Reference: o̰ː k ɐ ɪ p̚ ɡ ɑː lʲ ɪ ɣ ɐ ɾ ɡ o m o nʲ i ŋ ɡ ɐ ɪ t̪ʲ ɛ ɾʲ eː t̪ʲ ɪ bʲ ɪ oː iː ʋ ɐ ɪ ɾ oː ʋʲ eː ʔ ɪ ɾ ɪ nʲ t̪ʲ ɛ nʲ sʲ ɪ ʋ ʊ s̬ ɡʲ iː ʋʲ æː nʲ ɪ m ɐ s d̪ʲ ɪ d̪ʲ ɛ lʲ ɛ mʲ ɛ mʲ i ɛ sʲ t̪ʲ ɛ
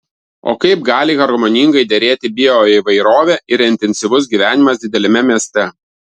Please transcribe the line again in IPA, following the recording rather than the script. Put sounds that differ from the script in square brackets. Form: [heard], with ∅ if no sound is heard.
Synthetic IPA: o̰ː k ɐ ɪ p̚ ɡ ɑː lʲ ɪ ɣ ɐ ɾ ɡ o m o nʲ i ŋ ɡ ɐ ɪ [d̪ʲ] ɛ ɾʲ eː t̪ʲ ɪ bʲ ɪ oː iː ʋ ɐ ɪ ɾ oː ʋʲ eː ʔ ɪ ɾ ɪ nʲ t̪ʲ ɛ nʲ sʲ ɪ ʋ ʊ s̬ ɡʲ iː ʋʲ æː nʲ ɪ m ɐ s d̪ʲ ɪ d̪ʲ ɛ lʲ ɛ mʲ ɛ mʲ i ɛ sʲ t̪ʲ ɛ

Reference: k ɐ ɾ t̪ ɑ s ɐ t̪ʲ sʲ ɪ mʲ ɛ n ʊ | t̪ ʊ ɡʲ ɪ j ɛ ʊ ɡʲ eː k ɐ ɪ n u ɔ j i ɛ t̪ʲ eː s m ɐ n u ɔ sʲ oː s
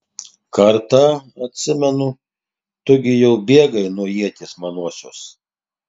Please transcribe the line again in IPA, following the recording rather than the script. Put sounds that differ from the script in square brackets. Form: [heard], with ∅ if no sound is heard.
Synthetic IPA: k ɐ ɾ t̪ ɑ [∅] ɐ t̪ʲ sʲ ɪ mʲ ɛ n ʊ | t̪ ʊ ɡʲ ɪ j ɛ ʊ [bʲ] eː [ɡ] ɐ ɪ n u ɔ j i ɛ t̪ʲ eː s m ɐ n u ɔ sʲ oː s

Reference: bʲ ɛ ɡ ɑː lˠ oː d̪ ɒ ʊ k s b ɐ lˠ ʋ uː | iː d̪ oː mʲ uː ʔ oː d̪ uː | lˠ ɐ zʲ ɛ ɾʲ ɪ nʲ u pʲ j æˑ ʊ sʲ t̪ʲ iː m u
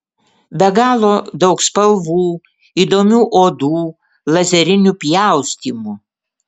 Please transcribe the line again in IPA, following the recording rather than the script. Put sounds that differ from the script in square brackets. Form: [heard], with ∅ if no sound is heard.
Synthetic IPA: bʲ ɛ ɡ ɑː lˠ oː d̪ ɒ ʊ k s [p] ɐ lˠ ʋ uː | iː d̪ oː mʲ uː ʔ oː d̪ uː | lˠ ɐ zʲ ɛ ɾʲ ɪ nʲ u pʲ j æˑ ʊ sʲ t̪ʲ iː m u

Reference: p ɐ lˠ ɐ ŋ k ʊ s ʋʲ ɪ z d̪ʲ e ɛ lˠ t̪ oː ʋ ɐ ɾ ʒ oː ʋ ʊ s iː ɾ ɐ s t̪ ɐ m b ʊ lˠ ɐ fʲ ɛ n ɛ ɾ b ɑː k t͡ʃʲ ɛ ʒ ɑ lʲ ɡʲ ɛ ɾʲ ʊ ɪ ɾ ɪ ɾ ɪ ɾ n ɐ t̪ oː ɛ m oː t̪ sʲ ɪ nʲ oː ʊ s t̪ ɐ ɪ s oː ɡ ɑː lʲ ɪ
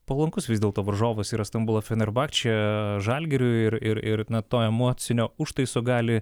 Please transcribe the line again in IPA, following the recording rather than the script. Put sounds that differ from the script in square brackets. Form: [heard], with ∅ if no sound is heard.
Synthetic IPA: p ɐ lˠ ɐ ŋ k ʊ s ʋʲ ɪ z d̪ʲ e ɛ lˠ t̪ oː ʋ ɐ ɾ ʒ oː ʋ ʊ s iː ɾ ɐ s t̪ ɐ m b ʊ lˠ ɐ fʲ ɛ n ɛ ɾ b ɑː k t͡ʃʲ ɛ ʒ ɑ lʲ ɡʲ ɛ ɾʲ ʊ ɪ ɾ ɪ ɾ ɪ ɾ n ɐ t̪ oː ɛ m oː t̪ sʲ ɪ nʲ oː ʊ [ʃ] t̪ ɐ ɪ s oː ɡ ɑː lʲ ɪ

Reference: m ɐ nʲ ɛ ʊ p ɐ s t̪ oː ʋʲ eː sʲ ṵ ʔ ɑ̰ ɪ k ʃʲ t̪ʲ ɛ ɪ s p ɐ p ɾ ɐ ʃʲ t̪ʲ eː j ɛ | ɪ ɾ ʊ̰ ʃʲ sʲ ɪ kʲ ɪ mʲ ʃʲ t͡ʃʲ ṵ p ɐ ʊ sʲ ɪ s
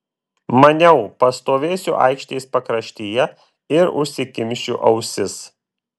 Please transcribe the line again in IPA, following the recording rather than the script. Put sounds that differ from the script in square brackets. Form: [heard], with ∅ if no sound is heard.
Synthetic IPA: m ɐ nʲ ɛ ʊ p ɐ s t̪ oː ʋʲ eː sʲ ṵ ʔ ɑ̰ ɪ k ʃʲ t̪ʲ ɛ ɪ s p ɐ [k] ɾ ɐ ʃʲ t̪ʲ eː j ɛ | ɪ ɾ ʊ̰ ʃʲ sʲ ɪ kʲ ɪ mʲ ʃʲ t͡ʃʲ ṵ [ʔ] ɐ ʊ sʲ ɪ s

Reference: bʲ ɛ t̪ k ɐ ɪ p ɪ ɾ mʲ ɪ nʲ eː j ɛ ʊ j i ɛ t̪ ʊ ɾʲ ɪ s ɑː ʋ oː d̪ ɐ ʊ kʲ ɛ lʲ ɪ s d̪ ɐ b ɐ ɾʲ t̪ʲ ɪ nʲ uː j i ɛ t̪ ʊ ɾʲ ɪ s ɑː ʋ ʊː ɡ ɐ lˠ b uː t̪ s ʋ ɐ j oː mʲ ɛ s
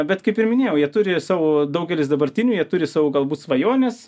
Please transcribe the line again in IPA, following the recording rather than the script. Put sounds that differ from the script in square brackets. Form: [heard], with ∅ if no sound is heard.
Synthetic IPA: bʲ ɛ t̪ k ɐ ɪ p ɪ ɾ mʲ ɪ nʲ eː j ɛ ʊ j i ɛ t̪ ʊ ɾʲ ɪ s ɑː ʋ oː d̪ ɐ ʊ [ɡʲ] ɛ lʲ ɪ s d̪ ɐ b ɐ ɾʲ t̪ʲ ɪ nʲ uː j i ɛ t̪ ʊ ɾʲ ɪ s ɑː ʋ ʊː ɡ ɐ lˠ b uː t̪ s ʋ ɐ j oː [nʲ] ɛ s

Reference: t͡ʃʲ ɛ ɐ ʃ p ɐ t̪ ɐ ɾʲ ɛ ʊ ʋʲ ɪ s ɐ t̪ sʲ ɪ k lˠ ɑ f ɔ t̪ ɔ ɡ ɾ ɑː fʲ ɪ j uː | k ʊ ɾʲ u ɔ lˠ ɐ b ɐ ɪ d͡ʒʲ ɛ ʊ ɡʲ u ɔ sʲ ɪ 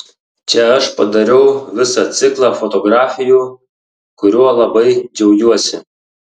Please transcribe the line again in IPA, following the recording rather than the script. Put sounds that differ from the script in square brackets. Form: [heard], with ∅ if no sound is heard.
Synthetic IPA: t͡ʃʲ ɛ ɐ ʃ p ɐ [d̪] ɐ ɾʲ ɛ ʊ ʋʲ ɪ s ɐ t̪ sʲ ɪ k lˠ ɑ f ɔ t̪ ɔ ɡ ɾ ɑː fʲ ɪ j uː | k ʊ ɾʲ u ɔ lˠ ɐ b ɐ ɪ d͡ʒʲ ɛ ʊ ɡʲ u ɔ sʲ ɪ

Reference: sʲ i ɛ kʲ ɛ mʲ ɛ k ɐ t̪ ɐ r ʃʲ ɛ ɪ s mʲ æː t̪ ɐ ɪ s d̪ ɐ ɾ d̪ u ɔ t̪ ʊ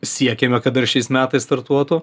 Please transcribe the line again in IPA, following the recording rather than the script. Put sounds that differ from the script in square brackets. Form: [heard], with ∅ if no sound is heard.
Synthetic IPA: sʲ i ɛ kʲ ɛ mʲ ɛ k ɐ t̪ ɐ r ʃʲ ɛ ɪ s mʲ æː t̪ ɐ ɪ s [t̪] ɐ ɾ [t̪] u ɔ t̪ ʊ

